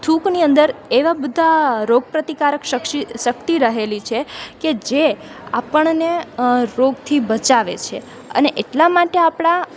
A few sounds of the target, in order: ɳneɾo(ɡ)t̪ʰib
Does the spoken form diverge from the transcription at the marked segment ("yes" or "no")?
no